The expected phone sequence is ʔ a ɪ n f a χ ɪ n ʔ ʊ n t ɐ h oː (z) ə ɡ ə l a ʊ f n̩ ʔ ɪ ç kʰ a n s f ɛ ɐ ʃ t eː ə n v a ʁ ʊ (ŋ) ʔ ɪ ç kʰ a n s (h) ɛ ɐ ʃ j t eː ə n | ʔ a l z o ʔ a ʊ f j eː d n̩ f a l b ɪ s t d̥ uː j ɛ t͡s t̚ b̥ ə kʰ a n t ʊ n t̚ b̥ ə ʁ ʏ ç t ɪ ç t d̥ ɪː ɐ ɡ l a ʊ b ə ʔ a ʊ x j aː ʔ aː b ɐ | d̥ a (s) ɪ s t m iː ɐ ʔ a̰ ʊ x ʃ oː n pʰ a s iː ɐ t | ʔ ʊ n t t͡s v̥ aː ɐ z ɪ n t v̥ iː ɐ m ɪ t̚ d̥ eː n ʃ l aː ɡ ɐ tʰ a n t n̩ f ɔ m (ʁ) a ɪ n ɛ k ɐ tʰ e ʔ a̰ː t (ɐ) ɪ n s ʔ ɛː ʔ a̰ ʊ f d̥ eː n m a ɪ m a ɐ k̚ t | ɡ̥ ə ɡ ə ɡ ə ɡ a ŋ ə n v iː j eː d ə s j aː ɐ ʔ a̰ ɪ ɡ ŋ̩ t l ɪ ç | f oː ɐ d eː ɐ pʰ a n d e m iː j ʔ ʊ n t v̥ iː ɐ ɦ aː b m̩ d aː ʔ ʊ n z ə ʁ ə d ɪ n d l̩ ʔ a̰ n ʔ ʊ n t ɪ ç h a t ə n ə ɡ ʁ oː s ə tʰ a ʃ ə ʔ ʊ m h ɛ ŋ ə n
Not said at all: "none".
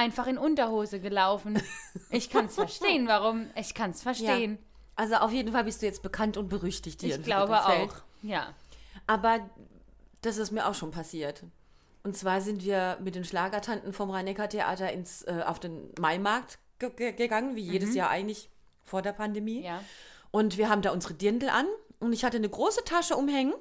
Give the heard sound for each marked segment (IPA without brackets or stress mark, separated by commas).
z, m, f, s, ʁ, ɐ